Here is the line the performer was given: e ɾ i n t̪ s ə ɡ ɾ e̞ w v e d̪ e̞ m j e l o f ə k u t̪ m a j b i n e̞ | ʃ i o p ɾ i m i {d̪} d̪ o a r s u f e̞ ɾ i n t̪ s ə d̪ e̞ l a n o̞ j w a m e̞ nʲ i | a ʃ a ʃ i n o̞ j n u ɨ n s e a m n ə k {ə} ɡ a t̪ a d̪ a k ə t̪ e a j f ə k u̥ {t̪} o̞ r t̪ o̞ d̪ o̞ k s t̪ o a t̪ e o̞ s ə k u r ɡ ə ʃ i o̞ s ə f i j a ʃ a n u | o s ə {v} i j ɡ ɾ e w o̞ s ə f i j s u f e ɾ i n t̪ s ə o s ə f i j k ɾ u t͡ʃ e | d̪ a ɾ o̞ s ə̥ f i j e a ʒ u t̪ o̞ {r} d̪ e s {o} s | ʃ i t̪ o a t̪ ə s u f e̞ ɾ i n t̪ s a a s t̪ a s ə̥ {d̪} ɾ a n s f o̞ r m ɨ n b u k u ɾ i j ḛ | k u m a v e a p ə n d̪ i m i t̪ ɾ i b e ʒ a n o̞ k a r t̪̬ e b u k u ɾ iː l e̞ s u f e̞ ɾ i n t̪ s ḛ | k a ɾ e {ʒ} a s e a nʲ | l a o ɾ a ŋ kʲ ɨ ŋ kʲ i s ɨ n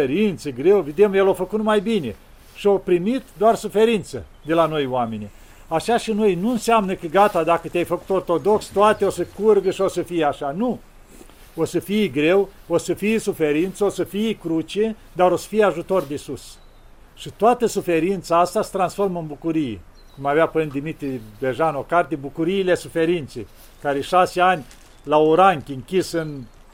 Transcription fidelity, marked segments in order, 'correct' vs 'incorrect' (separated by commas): incorrect, correct, correct, incorrect, correct, incorrect, incorrect, incorrect